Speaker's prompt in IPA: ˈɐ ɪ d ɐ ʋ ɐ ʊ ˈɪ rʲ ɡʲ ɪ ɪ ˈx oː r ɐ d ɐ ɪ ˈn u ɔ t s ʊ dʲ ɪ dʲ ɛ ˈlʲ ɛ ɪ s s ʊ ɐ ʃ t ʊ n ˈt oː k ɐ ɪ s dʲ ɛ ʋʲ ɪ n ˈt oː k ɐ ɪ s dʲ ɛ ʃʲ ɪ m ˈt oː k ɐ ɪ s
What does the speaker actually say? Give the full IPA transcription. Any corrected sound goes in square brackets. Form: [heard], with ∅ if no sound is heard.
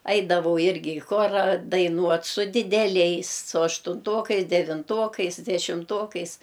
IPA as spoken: ˈɐ ɪ d ɐ ʋ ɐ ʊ ˈɪ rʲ ɡʲ ɪ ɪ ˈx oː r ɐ d ɐ ɪ ˈn u ɔ t s ʊ dʲ ɪ dʲ ɛ ˈlʲ ɛ ɪ s s ʊ ɐ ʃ t ʊ n ˈt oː k ɐ ɪ s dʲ ɛ ʋʲ ɪ n ˈt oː k ɐ ɪ s dʲ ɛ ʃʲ ɪ m ˈt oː k ɐ ɪ s